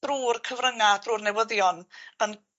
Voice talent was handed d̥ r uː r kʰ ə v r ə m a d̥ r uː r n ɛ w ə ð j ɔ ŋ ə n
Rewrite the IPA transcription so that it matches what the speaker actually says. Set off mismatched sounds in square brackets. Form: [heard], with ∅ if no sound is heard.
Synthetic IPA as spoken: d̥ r uː r kʰ ə v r ə [ŋ] a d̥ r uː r n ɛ w ə ð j ɔ [n] ə n